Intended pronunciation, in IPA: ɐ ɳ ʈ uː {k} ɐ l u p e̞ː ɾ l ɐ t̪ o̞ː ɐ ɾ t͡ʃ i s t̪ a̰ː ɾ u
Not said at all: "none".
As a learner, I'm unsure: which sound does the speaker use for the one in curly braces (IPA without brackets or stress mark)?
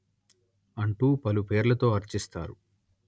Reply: p